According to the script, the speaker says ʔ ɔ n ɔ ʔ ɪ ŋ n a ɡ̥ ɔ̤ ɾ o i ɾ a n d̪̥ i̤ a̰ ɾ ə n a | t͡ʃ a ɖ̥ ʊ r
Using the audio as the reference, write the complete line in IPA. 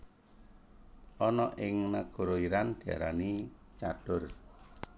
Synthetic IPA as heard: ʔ ɔ n ɔ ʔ ɪ ŋ n a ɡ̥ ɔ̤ ɾ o i ɾ a n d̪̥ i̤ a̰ ɾ a n i | t͡ʃ a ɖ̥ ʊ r